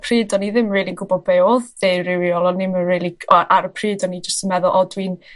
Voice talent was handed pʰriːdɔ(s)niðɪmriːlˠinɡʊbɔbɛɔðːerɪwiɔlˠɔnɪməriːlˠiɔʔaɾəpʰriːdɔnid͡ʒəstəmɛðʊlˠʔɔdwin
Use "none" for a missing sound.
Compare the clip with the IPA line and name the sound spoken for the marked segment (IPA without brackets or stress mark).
none